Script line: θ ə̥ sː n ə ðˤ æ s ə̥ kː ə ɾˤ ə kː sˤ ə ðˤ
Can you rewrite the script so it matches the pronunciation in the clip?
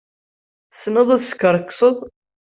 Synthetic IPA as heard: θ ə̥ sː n ə ðˤ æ s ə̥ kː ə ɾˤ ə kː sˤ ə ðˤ